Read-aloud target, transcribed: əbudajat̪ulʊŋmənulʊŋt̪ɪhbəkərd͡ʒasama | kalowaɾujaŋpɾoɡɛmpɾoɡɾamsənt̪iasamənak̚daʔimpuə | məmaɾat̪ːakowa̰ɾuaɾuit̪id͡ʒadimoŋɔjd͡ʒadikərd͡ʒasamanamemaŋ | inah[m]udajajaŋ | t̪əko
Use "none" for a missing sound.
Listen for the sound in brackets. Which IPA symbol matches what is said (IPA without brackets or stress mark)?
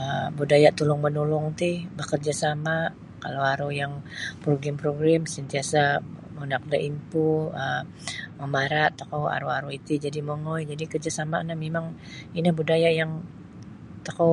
b